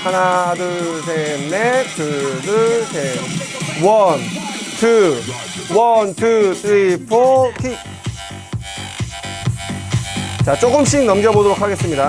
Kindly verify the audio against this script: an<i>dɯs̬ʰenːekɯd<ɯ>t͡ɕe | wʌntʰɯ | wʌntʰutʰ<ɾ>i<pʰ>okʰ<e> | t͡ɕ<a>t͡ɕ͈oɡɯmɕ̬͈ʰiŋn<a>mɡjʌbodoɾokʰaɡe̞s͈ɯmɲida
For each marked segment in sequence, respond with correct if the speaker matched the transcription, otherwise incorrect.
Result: incorrect: a, correct, correct, correct, incorrect: i, correct, incorrect: ʌ

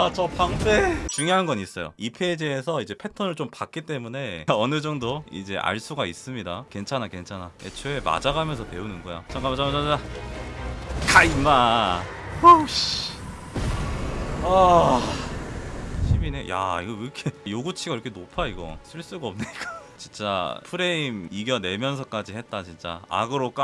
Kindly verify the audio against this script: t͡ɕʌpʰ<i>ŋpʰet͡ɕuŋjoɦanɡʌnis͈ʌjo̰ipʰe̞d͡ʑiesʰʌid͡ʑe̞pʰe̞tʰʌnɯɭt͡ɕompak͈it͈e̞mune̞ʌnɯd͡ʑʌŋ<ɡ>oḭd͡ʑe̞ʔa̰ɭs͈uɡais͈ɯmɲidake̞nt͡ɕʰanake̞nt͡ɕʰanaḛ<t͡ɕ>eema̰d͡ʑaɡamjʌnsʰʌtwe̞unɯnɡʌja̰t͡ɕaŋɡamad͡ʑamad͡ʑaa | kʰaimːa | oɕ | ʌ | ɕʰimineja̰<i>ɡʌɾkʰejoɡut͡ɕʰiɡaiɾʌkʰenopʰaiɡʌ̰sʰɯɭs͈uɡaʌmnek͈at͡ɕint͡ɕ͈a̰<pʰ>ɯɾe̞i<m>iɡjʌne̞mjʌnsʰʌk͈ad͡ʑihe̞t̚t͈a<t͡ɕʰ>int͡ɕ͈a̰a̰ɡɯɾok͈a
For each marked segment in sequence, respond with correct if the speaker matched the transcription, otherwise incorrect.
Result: incorrect: a, incorrect: d, incorrect: t͡ɕʰ, correct, correct, correct, incorrect: t͡ɕ

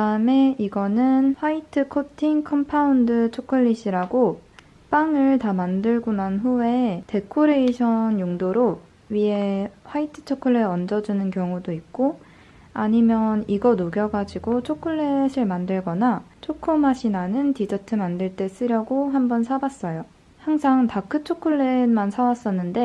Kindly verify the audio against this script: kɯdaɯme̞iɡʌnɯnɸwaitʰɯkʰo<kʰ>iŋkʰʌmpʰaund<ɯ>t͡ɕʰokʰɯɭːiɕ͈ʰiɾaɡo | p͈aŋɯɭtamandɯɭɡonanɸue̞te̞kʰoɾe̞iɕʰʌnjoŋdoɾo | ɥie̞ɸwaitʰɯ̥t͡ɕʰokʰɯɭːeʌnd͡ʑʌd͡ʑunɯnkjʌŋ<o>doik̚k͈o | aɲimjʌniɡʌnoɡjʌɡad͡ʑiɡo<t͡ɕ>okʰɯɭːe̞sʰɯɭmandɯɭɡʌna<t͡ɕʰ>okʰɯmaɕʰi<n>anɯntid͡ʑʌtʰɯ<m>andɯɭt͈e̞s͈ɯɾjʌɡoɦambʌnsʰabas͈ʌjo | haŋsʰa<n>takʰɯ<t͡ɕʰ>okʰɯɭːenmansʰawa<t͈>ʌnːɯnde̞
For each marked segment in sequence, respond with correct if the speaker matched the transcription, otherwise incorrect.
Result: incorrect: tʰ, correct, incorrect: u, incorrect: t͡ɕʰ, correct, correct, correct, incorrect: ŋ, correct, incorrect: s͈

